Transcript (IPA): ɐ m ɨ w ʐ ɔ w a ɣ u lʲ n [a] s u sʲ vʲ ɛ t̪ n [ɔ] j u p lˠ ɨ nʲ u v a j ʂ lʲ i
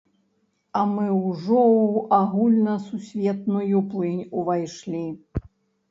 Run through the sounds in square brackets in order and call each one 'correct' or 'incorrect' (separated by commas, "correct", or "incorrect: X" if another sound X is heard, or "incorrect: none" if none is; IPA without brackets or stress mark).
incorrect: ɐ, incorrect: u